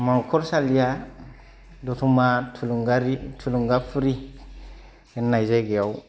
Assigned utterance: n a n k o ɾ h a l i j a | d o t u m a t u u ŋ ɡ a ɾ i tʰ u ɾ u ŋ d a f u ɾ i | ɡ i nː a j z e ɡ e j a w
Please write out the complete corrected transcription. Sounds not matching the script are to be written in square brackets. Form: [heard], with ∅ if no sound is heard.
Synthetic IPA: [m] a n k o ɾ [s] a l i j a | d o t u m a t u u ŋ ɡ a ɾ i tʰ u [l] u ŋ [ɡ] a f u ɾ i | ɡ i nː a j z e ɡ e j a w